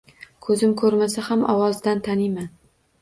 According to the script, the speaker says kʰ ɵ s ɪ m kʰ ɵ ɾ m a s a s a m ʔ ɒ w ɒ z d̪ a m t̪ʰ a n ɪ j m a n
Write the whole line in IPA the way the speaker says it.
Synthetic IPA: kʰ ɵ z ɪ m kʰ ɵ ɾ m a s a h a m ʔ ɒ w ɒ z d̪ a n t̪ʰ a n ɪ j m a n